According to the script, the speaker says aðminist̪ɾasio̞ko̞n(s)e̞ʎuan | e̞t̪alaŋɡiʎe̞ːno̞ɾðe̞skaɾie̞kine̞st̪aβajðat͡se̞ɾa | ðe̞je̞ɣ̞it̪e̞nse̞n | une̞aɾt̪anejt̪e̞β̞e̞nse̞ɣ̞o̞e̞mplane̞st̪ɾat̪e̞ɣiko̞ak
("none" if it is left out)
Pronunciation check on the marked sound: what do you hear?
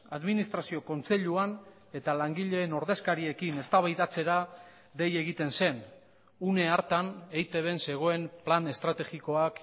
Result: t͡s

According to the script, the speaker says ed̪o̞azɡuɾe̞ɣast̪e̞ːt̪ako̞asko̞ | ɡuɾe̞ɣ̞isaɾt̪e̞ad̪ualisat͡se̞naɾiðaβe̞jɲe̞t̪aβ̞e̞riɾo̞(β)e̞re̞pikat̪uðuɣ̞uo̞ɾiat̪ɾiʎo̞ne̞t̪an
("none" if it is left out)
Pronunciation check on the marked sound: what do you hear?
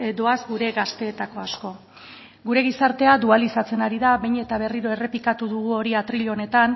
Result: none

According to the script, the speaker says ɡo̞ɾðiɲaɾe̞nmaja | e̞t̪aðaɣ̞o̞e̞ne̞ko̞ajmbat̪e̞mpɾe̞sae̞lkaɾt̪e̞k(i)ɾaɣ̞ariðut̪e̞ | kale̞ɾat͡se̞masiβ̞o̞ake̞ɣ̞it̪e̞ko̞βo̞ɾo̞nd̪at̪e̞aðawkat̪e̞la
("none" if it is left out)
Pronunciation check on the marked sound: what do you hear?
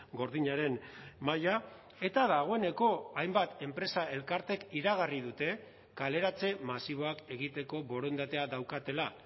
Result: i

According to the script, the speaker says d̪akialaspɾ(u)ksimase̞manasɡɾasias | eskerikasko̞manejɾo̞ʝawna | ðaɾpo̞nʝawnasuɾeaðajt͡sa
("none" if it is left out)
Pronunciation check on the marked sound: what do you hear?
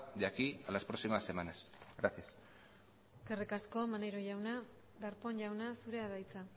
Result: o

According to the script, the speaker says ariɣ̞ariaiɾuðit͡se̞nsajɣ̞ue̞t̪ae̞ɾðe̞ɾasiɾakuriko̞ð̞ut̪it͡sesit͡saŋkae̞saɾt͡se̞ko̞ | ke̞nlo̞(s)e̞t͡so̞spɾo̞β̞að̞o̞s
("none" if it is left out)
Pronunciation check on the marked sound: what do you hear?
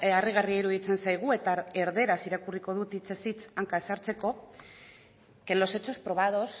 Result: s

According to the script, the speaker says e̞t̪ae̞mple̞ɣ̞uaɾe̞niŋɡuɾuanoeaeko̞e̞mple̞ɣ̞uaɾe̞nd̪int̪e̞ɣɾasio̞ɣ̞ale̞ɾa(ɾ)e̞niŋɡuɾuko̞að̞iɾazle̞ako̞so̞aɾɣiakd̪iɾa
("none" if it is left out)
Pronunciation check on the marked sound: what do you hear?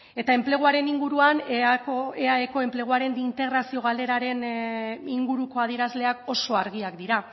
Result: ɾ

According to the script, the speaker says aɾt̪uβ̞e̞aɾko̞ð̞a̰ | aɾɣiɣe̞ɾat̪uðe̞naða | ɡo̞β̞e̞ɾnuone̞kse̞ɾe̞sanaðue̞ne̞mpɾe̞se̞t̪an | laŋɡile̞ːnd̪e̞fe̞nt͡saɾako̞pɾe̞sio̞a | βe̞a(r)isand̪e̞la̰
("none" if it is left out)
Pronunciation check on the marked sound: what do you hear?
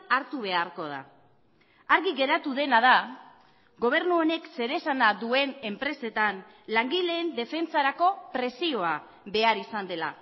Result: ɾ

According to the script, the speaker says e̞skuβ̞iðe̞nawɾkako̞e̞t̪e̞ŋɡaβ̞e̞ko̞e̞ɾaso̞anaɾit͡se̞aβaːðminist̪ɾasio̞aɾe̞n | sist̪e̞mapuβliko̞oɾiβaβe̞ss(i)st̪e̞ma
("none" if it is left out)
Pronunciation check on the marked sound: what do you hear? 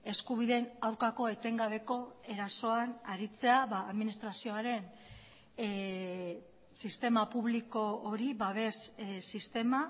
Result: i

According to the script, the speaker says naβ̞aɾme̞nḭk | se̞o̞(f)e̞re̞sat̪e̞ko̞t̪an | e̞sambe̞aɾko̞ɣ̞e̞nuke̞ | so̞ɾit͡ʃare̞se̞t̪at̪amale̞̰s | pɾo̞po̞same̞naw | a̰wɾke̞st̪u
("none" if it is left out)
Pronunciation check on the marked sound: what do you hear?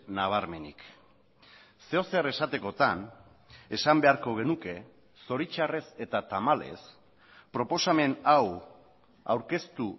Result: s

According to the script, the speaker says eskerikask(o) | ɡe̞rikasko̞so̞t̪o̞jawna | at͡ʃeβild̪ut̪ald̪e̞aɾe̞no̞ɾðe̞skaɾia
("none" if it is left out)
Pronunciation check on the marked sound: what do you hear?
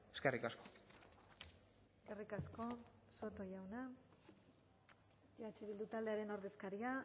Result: o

